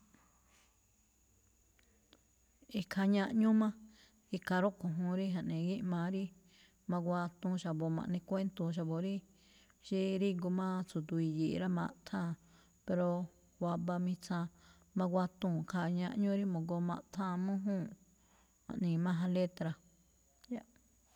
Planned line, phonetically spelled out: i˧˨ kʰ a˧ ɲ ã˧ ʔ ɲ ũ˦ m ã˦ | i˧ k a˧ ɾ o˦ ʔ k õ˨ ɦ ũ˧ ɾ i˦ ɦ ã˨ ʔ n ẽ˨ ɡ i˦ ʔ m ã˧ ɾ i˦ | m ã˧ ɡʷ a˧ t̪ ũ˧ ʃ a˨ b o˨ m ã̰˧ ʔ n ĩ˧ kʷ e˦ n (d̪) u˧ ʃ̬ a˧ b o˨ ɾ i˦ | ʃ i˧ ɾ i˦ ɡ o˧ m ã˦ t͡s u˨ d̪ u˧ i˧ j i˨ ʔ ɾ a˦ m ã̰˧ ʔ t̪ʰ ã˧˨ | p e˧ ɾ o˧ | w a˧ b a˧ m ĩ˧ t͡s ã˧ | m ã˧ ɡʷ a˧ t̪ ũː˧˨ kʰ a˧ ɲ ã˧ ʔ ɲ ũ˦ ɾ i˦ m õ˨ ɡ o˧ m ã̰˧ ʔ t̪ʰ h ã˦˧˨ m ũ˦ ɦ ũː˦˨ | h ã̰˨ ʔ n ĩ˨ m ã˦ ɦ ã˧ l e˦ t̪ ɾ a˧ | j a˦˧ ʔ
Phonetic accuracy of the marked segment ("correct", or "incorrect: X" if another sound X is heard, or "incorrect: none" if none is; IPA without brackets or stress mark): incorrect: t̪